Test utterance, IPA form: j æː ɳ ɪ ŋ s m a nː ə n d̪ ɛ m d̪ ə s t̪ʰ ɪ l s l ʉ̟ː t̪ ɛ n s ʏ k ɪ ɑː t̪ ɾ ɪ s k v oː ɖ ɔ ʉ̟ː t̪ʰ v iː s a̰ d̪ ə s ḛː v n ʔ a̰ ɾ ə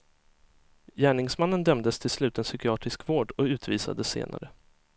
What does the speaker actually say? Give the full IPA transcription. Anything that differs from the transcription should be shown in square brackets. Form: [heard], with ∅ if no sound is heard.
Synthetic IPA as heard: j æː ɳ ɪ ŋ s m a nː ə n d̪ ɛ m d̪ ə s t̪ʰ ɪ l s l ʉ̟ː t̪ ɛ n s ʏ k ɪ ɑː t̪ ɾ ɪ s k v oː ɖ ɔ ʉ̟ː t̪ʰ v iː s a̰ d̪ ə s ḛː [∅] n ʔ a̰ ɾ ə

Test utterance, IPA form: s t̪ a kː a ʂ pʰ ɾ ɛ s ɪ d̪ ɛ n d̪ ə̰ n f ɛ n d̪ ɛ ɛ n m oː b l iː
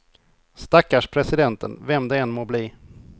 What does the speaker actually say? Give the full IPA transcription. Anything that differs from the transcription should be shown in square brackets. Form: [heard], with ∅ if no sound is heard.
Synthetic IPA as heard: s t̪ a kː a ʂ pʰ ɾ ɛ s ɪ d̪ ɛ n [t̪] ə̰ n [v] ɛ [m] d̪ ɛ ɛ n m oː b l iː

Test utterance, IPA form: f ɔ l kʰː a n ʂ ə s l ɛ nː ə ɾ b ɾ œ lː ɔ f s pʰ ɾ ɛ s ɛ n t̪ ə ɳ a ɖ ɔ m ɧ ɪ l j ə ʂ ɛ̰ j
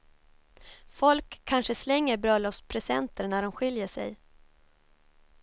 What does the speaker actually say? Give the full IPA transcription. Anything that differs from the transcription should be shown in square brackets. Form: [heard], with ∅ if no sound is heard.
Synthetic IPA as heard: f ɔ l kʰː a n ʂ ə s l ɛ [ŋː] ə ɾ b ɾ œ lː ɔ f s pʰ ɾ ɛ s ɛ n t̪ ə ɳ [æ] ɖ ɔ m ɧ ɪ l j ə ʂ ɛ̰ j

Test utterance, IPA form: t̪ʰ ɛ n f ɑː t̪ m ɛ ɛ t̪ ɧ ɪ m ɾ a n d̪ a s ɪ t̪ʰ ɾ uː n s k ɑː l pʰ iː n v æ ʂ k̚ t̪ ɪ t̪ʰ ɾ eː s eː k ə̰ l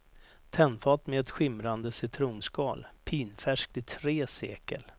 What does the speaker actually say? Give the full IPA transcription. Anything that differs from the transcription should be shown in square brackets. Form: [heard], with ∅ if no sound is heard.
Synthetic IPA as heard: t̪ʰ ɛ n f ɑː t̪ m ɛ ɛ t̪ ɧ ɪ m ɾ a n d̪ [ə] s ɪ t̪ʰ ɾ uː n s k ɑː l pʰ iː n [f] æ ʂ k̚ t̪ ɪ t̪ʰ ɾ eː s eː k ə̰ l

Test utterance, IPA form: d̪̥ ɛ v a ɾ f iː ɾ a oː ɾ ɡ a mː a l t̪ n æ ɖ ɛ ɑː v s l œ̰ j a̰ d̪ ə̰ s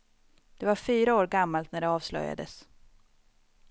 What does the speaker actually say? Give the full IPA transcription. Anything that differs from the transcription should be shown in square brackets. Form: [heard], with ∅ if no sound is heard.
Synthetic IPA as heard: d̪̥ ɛ v a ɾ f [yː] ɾ a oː ɾ ɡ a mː a l t̪ n æ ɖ ɛ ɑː v s l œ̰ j a̰ d̪ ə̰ s

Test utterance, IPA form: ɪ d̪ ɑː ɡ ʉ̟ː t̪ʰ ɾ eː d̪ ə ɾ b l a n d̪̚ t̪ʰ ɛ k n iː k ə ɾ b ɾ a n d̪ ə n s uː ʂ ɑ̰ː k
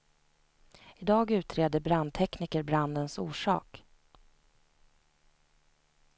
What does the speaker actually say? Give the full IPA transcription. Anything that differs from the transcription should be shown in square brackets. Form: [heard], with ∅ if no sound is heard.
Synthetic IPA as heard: ɪ d̪ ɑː ɡ ʉ̟ː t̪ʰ ɾ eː d̪ ə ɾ b [ɾ] a n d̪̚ t̪ʰ ɛ k n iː k ə ɾ b ɾ a n d̪ ə n s uː ʂ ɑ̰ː k

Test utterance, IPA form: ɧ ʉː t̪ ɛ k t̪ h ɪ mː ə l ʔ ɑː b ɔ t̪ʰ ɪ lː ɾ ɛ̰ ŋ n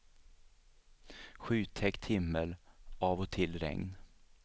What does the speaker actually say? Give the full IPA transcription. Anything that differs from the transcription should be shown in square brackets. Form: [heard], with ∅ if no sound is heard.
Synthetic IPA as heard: ɧ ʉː [t̪ʰ] ɛ k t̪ h ɪ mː ə l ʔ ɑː [v] ɔ t̪ʰ ɪ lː ɾ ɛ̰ ŋ n

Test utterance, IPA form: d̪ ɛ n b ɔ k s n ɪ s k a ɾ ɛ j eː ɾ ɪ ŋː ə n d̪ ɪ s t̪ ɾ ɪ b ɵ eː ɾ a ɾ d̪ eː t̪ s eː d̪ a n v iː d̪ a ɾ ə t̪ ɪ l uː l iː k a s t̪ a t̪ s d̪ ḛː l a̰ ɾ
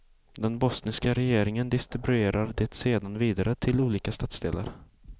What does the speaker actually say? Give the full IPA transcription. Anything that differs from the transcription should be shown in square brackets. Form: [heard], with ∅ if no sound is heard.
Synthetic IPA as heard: d̪ ɛ n b ɔ [∅] s n ɪ s k a ɾ ɛ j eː ɾ ɪ [ŋ] ə n d̪ ɪ s t̪ ɾ ɪ b ɵ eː ɾ a ɾ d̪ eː t̪ s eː d̪ a n v iː d̪ a ɾ ə [t̪ʰ] ɪ l uː l iː k a s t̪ a t̪ s d̪ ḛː l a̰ ɾ

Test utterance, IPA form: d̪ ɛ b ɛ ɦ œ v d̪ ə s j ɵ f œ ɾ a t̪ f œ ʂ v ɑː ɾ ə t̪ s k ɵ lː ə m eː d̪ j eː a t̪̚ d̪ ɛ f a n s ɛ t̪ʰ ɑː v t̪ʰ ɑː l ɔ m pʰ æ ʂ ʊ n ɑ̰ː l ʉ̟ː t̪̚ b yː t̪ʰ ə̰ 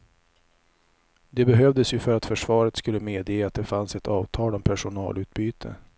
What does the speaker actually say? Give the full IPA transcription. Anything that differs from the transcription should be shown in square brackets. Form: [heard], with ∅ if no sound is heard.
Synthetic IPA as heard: d̪ ɛ b ɛ ɦ œ v d̪ ə s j ɵ f œ ɾ a t̪ f œ ʂ v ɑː ɾ ə t̪ s k ɵ lː ə m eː d̪ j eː a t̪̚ d̪ ɛ f a n s ɛ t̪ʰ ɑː v t̪ʰ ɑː l ɔ m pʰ æ ʂ ʊ n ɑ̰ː l ʉ̟ː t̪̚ b yː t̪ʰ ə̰

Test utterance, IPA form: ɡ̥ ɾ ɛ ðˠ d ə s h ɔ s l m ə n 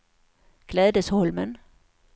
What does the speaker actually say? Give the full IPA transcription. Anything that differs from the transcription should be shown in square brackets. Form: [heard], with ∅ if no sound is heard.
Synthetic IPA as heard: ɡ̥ [l] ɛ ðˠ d ə s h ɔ [∅] l m ə n

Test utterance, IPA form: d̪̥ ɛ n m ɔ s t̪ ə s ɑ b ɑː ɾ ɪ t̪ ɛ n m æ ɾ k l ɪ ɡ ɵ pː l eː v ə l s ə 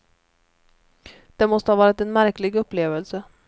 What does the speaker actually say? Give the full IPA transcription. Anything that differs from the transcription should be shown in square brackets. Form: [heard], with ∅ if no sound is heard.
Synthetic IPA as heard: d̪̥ ɛ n m ɔ s t̪ ə [h] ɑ [v] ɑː ɾ ɪ t̪ ɛ n m æ ɾ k l ɪ ɡ ɵ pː l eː v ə l s ə

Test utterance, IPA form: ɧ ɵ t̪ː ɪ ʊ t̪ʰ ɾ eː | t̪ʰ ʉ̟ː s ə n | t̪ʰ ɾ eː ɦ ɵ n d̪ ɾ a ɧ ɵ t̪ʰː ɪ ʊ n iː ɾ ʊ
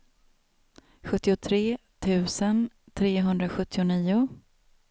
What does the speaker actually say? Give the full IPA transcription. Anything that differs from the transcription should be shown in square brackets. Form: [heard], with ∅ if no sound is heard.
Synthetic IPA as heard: ɧ ɵ t̪ː ɪ ʊ t̪ʰ ɾ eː | t̪ʰ ʉ̟ː s ə n | t̪ʰ ɾ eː ɦ ɵ n d̪ ɾ a ɧ ɵ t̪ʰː ɪ ʊ n iː [∅] ʊ

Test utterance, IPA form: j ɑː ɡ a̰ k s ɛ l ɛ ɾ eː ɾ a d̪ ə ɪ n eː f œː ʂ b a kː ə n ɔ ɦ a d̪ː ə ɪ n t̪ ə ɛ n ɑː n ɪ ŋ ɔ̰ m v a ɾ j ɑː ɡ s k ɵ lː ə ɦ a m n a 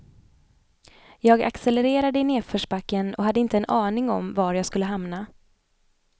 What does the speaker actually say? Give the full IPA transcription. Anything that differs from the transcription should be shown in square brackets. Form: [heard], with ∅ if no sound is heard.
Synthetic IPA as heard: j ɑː ɡ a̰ k s ɛ l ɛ ɾ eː ɾ a d̪ ə ɪ n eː f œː ʂ b a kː ə n ɔ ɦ a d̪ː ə ɪ n t̪ ə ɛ n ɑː n ɪ ŋ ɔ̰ m v a ɾ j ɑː ɡ s k ɵ lː ə ɦ a m n a

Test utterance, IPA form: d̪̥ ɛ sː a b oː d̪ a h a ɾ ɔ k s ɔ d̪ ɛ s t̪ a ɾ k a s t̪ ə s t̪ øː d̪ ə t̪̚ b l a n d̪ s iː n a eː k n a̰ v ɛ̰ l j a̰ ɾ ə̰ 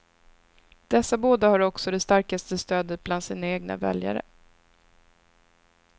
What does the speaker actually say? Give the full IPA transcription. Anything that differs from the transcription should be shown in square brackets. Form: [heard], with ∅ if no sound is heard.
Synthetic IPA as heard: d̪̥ ɛ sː a b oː d̪ a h a ɾ ɔ k s ɔ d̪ ɛ s t̪ a ɾ k a s t̪ ə s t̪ øː d̪ ə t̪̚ b l a n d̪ s iː n a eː [ɡ] n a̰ v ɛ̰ l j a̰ ɾ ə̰

